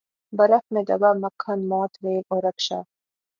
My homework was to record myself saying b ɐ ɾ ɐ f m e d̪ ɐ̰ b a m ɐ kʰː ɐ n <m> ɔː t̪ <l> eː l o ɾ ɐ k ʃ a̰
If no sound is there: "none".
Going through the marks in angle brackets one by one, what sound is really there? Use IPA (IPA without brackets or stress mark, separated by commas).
m, ɾ